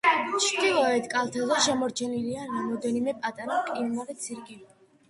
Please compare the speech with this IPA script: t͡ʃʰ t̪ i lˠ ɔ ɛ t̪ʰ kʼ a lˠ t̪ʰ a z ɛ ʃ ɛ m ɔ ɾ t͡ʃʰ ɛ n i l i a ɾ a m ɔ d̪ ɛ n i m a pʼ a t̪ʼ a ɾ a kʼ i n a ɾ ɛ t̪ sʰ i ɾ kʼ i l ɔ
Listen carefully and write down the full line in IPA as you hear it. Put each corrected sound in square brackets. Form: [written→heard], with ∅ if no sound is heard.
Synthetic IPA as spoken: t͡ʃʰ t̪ i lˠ ɔ ɛ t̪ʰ kʼ a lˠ t̪ʰ a z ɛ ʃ ɛ m ɔ ɾ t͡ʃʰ ɛ n i l i a ɾ a m ɔ d̪ ɛ n i m [a→ɛ] pʼ a t̪ʼ a ɾ a kʼ i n a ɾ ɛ t̪ sʰ i ɾ kʼ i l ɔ